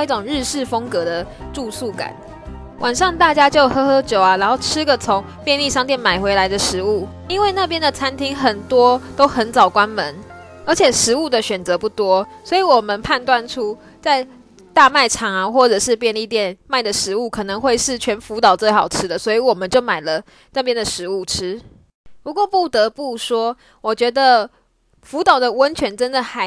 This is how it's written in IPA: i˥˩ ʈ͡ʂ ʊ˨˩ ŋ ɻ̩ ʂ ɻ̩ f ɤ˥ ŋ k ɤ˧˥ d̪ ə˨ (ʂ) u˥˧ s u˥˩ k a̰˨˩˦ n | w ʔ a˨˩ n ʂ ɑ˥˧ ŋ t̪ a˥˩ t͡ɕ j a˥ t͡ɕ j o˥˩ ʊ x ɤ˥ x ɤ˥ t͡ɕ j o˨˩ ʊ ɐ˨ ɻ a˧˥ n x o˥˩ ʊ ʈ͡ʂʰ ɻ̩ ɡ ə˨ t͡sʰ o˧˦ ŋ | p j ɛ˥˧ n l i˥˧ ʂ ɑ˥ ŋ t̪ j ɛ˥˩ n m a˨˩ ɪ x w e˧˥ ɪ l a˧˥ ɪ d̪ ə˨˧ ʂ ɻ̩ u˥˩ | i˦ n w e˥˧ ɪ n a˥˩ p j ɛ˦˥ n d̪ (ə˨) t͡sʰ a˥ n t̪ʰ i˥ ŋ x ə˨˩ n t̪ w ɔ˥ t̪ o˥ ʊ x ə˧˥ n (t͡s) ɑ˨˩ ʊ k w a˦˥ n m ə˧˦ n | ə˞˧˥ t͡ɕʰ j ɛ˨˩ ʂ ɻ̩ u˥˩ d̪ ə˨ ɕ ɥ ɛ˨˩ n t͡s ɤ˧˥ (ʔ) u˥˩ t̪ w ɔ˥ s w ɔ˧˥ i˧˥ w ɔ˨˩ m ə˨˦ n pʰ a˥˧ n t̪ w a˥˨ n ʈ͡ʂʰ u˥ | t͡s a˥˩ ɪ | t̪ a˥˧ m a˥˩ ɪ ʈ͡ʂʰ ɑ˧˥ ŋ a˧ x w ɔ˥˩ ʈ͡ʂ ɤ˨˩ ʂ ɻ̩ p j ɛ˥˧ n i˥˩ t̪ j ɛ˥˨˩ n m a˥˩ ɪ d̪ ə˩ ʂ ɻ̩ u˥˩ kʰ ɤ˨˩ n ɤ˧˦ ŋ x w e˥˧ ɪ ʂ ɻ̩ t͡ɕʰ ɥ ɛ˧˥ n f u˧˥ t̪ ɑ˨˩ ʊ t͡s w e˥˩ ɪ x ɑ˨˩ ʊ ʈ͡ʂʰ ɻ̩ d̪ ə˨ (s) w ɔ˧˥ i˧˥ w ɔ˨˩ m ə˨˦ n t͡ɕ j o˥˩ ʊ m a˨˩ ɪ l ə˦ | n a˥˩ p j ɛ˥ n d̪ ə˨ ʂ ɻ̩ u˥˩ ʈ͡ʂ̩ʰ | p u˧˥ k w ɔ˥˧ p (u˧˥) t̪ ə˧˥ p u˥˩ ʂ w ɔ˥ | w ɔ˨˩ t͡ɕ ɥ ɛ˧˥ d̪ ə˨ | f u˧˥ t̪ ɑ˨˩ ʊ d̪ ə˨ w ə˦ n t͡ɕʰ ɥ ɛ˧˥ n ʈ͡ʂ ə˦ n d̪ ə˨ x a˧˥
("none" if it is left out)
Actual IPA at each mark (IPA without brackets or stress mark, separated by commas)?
ʈ͡ʂ, ə˨, t͡s, p, s, u˥˩